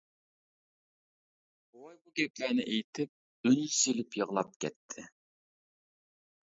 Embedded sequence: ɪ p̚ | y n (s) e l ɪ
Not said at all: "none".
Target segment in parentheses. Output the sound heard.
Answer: s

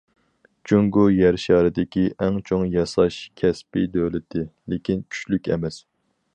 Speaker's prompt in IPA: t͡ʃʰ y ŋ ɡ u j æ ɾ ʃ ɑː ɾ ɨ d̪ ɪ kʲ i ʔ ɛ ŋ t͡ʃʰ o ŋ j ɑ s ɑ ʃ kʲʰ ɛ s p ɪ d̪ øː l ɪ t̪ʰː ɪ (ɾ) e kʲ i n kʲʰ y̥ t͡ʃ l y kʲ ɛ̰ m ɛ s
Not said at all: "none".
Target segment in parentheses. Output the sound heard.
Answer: l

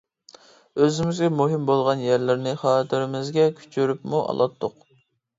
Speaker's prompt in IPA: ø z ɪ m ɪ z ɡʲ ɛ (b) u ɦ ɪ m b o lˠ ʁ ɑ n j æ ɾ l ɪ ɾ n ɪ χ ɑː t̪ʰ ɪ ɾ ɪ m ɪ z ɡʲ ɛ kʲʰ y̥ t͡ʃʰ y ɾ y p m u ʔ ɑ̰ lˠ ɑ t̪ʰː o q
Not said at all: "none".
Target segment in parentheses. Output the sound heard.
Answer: m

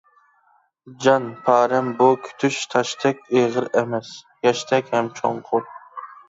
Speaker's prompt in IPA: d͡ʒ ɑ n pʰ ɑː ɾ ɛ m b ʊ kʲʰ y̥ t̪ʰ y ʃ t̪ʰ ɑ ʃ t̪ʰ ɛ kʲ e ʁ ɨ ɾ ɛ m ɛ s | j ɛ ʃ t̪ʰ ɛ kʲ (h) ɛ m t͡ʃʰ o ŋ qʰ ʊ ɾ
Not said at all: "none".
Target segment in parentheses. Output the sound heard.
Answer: h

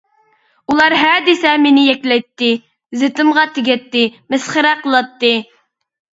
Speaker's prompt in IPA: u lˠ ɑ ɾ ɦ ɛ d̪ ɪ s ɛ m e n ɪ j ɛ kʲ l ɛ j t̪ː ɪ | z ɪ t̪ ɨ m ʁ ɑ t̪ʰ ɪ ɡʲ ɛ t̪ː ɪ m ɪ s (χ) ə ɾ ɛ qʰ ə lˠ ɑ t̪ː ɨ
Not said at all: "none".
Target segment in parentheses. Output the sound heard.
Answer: χ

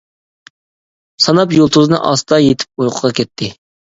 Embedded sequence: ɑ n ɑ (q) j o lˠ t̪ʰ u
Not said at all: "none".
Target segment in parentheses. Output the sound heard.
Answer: p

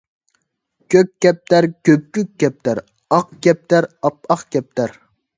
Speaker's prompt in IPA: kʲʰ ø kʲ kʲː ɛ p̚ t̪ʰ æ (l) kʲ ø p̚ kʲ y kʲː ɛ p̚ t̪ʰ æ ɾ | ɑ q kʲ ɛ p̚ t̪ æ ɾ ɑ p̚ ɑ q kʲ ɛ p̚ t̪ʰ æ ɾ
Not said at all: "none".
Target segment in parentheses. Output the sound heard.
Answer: ɾ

